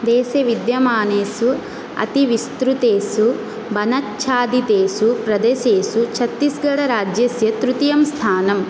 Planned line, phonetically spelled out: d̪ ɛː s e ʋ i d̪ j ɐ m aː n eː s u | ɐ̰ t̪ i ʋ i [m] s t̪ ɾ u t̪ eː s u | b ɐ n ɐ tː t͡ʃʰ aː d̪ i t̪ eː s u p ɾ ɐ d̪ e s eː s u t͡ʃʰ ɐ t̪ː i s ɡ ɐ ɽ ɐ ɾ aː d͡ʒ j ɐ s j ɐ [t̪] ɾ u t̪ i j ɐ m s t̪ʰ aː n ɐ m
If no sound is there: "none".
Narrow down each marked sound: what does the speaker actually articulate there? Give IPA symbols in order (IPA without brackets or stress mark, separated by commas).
none, t̪